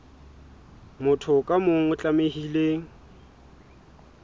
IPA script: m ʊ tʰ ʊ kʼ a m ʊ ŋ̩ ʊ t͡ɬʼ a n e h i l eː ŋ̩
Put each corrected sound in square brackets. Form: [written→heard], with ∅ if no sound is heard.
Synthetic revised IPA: m ʊ tʰ ʊ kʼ a m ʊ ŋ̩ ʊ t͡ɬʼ a [n→m] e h i l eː ŋ̩